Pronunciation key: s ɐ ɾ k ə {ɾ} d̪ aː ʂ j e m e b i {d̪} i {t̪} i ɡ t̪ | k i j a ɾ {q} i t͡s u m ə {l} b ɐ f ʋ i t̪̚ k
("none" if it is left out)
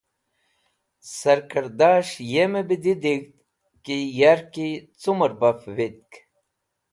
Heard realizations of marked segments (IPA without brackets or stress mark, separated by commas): ɾ, d̪, d̪, k, ɾ